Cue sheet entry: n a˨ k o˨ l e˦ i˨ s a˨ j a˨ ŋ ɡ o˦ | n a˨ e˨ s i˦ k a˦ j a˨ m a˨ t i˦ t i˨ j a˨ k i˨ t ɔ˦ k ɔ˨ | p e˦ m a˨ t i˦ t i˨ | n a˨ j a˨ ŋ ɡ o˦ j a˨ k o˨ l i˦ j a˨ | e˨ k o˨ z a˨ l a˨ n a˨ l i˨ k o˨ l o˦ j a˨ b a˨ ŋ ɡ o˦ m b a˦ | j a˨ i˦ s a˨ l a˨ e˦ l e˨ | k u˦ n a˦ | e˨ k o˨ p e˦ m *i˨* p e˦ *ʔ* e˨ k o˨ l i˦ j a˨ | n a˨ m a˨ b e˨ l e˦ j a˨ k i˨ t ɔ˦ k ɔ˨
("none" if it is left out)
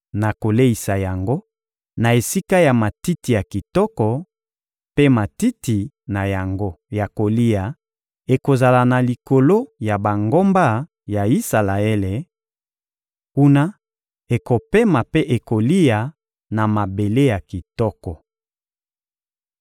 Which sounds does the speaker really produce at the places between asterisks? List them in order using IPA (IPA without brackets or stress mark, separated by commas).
a˨, ʔ